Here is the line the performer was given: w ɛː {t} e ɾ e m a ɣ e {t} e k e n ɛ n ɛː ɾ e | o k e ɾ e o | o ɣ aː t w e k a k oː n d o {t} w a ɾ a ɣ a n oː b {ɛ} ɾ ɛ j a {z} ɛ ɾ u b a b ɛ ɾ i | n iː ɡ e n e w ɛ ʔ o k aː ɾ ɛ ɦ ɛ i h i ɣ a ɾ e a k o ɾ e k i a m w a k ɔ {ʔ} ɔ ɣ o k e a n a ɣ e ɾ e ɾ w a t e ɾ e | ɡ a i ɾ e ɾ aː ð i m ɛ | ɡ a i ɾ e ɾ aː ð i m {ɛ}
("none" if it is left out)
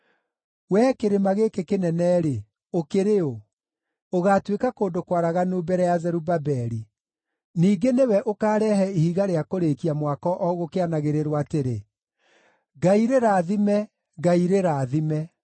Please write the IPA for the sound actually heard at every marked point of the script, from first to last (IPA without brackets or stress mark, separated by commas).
k, k, k, ɛ, z, ʔ, ɛ